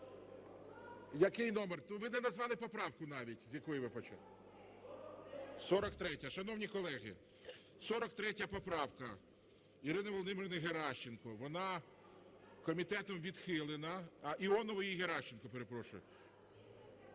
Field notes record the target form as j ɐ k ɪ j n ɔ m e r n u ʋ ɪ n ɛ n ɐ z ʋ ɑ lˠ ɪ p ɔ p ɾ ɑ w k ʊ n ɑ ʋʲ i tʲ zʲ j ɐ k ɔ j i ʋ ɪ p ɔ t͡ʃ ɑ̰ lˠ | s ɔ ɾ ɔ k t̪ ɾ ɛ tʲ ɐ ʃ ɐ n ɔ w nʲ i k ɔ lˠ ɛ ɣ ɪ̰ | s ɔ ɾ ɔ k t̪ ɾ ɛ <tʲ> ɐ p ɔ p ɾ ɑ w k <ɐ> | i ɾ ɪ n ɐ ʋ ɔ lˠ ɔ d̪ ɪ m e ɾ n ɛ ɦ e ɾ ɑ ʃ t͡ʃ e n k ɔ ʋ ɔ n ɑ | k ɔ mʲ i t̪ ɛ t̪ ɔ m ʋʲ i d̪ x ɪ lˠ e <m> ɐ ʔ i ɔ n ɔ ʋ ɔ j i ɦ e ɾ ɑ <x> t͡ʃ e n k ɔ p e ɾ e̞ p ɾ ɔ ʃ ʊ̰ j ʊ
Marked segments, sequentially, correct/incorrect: correct, correct, incorrect, incorrect

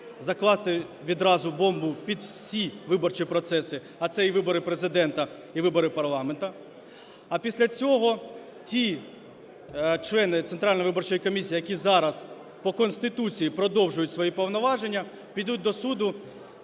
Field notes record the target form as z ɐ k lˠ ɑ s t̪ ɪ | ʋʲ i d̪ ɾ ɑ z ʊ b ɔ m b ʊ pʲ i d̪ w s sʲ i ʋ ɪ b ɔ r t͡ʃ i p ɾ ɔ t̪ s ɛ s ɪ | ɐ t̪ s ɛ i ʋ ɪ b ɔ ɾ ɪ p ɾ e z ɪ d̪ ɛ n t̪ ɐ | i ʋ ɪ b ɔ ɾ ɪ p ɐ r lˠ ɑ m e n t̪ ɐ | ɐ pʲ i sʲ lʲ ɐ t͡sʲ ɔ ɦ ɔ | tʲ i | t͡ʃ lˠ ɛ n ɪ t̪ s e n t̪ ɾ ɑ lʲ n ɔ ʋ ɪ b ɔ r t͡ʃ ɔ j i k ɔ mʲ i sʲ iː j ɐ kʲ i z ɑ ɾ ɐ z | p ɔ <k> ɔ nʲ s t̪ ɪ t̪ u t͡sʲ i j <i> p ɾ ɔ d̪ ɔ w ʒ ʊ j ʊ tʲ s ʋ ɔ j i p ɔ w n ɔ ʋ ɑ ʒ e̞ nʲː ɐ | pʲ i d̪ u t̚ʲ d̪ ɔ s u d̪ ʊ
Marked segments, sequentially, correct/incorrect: correct, correct

